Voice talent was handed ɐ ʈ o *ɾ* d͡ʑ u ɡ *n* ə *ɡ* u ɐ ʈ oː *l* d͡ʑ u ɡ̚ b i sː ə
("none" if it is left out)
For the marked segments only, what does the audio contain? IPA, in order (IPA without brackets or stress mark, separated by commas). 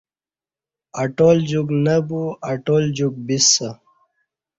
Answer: l, n, b, l